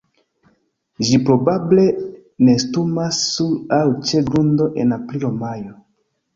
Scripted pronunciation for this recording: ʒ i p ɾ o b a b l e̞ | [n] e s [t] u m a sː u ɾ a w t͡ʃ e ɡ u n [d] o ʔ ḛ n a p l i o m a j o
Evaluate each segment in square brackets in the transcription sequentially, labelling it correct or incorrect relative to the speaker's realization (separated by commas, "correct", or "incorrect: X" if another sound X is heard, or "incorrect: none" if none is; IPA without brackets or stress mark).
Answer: correct, correct, correct